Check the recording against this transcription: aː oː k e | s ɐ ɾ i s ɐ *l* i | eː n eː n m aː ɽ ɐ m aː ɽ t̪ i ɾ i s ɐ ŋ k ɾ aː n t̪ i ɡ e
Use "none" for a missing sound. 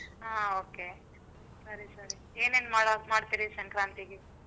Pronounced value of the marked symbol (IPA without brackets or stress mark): ɾ